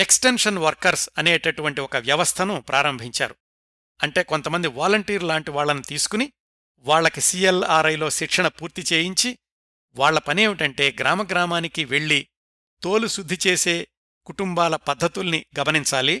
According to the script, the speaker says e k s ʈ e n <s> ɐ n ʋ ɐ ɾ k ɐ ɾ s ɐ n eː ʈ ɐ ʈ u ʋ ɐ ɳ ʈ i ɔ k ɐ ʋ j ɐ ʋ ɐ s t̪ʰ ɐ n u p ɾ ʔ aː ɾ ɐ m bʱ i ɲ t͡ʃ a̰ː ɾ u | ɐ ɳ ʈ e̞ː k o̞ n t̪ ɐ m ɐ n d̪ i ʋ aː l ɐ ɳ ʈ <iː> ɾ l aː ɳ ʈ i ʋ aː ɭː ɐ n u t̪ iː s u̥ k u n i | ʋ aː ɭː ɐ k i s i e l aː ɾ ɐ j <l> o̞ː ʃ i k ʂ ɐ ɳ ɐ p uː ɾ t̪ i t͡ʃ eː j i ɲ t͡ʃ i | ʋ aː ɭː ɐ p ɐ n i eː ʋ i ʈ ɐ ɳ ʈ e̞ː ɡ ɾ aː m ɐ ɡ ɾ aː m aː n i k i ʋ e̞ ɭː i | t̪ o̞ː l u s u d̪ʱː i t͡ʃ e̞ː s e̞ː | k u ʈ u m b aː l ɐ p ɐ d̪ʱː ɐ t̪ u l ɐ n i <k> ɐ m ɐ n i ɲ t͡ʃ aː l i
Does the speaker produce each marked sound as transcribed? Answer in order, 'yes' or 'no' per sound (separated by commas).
no, yes, yes, no